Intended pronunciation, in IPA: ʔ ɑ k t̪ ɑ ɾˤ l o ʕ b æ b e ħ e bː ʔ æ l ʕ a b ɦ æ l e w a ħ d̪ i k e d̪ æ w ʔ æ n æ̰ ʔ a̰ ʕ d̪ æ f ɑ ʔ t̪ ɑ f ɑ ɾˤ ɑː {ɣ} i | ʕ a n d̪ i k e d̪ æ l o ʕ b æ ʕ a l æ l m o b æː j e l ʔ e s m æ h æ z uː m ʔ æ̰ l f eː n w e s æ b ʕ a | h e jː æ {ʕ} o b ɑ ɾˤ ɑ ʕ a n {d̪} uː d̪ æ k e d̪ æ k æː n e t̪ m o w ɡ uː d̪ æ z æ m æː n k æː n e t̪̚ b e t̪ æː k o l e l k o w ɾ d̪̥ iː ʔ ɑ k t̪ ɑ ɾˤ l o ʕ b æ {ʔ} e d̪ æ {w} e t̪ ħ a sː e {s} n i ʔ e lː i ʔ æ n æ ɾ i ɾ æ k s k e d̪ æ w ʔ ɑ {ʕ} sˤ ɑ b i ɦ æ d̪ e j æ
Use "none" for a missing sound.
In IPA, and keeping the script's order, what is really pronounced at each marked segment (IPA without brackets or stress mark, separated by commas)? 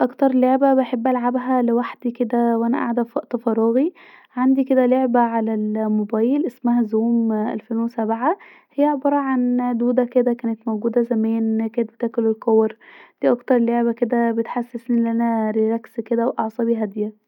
ɣ, ʕ, d̪, k, b, s, ʕ